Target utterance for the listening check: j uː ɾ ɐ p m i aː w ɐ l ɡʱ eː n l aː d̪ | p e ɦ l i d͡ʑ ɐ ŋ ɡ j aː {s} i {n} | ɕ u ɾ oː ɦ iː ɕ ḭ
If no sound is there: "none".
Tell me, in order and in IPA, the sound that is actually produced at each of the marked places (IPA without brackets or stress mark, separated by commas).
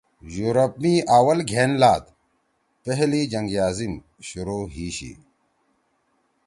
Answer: z, m